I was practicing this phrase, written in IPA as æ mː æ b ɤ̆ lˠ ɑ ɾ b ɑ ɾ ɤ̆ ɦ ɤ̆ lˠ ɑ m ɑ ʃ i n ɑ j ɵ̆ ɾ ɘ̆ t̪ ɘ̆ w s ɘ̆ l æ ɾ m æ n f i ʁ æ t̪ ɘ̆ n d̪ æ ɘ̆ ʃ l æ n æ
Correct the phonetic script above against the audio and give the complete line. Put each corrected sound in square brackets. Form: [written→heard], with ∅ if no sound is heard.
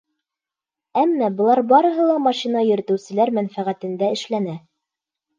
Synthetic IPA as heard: æ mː æ b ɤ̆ lˠ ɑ ɾ b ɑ ɾ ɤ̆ ɦ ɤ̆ lˠ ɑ m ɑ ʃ i n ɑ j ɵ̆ ɾ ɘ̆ t̪ ɘ̆ w s ɘ̆ l æ ɾ m æ n f [i→æ] ʁ æ t̪ ɘ̆ n d̪ æ ɘ̆ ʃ l æ n æ